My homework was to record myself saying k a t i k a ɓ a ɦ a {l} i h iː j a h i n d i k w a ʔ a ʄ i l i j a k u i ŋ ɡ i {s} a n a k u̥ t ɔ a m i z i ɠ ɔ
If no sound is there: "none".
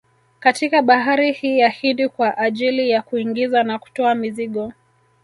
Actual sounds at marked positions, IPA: ɾ, z

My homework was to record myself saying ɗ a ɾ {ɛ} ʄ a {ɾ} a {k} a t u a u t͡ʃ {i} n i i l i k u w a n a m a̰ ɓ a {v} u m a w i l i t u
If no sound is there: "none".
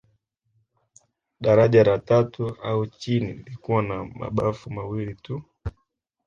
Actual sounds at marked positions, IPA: a, ɾ, t, i, f

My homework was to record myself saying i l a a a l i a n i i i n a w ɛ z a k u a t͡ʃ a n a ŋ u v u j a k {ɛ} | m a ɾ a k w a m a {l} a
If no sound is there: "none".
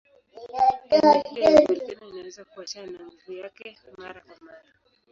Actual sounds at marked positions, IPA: ɛ, ɾ

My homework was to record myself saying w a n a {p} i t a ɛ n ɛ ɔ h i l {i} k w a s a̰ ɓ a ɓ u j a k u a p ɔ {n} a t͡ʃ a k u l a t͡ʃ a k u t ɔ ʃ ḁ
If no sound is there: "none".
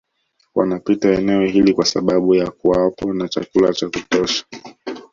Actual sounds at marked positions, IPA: p, i, n

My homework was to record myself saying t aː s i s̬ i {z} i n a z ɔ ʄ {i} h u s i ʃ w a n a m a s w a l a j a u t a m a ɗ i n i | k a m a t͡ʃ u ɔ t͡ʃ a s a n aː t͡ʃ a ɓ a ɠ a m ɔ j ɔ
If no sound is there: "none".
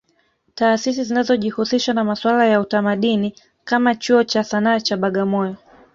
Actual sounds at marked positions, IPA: z, i

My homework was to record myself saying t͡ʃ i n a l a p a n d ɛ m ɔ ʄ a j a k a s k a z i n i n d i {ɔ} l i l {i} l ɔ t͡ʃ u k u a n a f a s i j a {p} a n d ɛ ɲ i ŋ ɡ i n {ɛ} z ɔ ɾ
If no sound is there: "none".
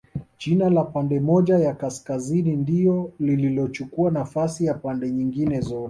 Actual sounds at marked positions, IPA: ɔ, i, p, ɛ

